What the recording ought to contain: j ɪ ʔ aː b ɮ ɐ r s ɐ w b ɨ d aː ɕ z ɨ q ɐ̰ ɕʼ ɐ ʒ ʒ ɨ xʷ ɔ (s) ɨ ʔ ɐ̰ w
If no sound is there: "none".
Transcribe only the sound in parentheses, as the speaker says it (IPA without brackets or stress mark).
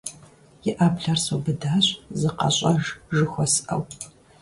s